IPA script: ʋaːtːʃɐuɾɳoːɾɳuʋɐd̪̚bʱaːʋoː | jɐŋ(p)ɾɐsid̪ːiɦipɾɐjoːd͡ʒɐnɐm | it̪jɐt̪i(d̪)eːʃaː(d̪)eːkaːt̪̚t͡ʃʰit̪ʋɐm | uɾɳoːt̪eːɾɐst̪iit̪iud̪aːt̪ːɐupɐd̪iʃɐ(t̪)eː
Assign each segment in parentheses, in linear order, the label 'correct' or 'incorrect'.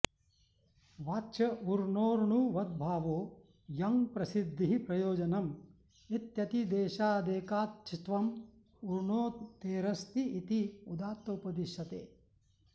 correct, correct, correct, correct

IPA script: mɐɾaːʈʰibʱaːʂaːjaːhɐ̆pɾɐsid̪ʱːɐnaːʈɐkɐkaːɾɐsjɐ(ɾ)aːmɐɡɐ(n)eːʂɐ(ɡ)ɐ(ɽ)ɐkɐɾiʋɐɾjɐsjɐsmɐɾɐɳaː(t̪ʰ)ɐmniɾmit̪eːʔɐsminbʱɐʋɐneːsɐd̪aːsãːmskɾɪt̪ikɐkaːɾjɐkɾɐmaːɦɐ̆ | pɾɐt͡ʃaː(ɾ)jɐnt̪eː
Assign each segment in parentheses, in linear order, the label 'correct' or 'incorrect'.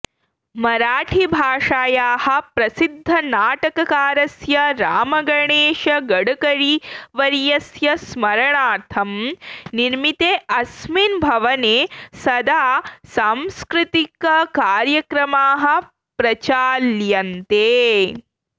correct, incorrect: ɳ, correct, correct, correct, incorrect: l

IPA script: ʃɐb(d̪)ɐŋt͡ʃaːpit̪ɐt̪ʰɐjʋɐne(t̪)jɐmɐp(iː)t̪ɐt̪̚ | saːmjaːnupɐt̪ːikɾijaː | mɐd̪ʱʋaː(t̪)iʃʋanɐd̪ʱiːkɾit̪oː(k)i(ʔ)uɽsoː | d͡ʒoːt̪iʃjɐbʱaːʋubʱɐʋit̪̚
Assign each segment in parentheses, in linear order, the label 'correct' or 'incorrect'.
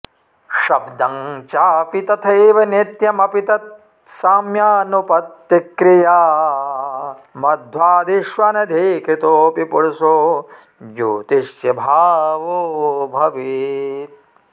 correct, correct, incorrect: i, incorrect: d̪, incorrect: p, incorrect: p

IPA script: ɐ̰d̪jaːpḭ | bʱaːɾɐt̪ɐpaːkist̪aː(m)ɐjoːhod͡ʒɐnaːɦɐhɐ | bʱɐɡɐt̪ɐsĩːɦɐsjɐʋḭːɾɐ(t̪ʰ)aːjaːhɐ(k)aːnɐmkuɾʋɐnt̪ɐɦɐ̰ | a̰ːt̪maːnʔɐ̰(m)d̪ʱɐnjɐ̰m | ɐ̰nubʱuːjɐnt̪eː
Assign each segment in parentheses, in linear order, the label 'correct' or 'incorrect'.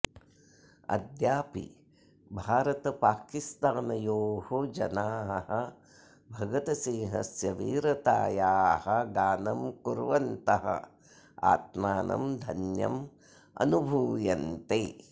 incorrect: n, incorrect: t̪, incorrect: ɡ, correct

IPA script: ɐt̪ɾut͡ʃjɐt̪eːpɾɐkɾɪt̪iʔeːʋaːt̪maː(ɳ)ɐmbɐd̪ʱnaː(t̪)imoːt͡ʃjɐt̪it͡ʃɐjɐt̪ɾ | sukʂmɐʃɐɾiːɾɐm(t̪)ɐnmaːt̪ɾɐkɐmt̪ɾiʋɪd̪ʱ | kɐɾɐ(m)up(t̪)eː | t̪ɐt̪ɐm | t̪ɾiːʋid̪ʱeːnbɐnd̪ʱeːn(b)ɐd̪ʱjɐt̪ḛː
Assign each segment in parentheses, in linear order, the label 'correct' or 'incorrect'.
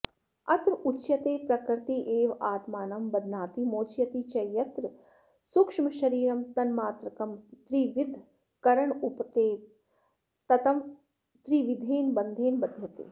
incorrect: n, correct, correct, incorrect: ɳ, correct, correct

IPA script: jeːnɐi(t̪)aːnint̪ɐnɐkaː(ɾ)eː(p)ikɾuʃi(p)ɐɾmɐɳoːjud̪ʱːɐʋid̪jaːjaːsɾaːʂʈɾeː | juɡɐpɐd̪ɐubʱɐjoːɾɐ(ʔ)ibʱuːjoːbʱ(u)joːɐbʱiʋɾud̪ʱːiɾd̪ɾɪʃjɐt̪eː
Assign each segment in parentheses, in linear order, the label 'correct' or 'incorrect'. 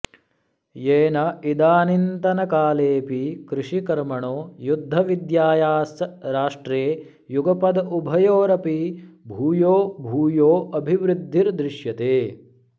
incorrect: d̪, incorrect: l, correct, incorrect: k, incorrect: p, incorrect: uː

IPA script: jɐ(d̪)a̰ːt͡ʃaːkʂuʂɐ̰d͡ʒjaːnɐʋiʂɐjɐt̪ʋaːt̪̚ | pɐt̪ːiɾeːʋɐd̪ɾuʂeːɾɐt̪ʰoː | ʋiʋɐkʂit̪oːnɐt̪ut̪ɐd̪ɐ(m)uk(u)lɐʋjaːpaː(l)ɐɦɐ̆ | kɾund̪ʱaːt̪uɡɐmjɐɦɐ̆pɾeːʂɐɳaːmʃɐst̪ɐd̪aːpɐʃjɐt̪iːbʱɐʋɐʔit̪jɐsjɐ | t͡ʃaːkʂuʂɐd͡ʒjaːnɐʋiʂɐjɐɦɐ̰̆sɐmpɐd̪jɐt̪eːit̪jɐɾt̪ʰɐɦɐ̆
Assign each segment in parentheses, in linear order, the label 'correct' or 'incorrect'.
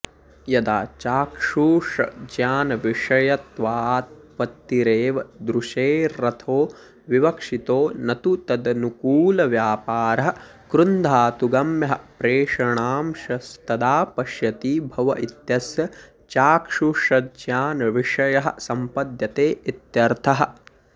correct, incorrect: n, incorrect: uː, incorrect: ɾ

